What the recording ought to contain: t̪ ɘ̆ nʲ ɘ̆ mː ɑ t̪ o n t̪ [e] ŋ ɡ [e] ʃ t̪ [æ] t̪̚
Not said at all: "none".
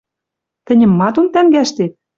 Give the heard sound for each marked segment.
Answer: æ, æ, e

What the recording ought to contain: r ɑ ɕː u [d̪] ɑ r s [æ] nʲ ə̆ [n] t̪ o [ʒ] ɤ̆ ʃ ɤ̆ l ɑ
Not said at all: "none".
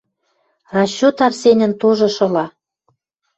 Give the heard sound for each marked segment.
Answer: t̪, e, n, ʒ

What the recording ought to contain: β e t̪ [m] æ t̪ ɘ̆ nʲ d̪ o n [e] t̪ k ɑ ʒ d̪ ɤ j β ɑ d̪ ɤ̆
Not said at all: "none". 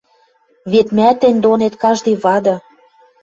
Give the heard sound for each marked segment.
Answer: m, e

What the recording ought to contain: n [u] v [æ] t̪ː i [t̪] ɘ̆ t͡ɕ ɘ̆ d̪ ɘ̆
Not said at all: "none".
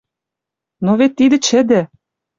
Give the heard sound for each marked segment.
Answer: o, e, d̪

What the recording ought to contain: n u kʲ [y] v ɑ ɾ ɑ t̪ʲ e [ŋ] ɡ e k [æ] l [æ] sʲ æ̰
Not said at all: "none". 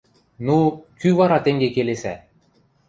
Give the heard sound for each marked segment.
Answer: y, ŋ, e, e

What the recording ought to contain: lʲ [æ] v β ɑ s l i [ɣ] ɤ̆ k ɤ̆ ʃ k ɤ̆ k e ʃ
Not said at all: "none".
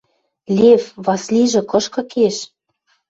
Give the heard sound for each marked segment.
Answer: e, ʒ

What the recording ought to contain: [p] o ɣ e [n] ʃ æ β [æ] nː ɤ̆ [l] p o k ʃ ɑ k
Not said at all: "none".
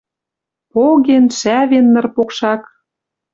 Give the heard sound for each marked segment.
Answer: p, n, e, r

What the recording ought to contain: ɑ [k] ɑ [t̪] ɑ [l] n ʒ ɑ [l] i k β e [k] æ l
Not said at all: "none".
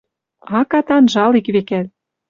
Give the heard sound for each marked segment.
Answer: k, t̪, none, l, k

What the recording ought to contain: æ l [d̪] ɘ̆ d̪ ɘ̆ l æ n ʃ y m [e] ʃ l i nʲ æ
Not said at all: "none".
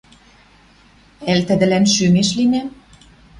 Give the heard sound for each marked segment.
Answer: t̪, e

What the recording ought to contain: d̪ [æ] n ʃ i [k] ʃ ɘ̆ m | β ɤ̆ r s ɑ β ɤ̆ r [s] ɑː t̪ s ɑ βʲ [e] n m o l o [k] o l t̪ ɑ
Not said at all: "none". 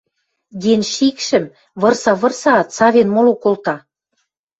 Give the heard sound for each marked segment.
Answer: e, k, s, e, k

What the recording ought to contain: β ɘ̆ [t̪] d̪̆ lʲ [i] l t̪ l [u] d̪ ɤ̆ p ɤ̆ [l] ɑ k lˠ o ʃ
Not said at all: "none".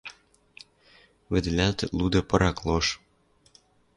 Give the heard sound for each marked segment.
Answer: none, æ, u, ɾ

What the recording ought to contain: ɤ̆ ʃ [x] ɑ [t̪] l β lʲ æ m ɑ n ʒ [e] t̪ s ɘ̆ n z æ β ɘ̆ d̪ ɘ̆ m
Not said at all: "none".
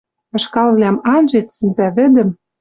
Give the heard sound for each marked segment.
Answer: k, none, e

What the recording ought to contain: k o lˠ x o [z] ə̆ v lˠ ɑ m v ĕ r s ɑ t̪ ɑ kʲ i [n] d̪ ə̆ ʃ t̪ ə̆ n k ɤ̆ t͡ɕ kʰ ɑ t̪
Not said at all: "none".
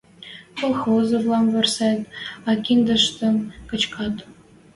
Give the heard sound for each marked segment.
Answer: z, n

